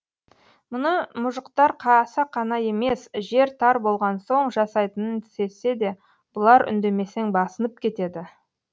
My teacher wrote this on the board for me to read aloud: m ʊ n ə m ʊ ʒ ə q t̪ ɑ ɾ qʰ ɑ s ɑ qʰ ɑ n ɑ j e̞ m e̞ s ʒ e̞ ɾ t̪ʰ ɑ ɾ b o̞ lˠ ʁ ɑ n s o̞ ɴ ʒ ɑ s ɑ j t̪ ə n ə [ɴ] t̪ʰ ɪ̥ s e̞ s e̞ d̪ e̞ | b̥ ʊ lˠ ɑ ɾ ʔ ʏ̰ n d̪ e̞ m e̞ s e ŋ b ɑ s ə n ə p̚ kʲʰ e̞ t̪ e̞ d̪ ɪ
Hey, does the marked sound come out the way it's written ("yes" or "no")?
no